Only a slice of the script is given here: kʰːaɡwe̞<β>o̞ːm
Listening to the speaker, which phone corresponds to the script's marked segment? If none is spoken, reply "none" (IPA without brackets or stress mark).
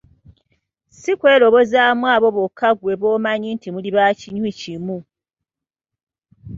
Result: β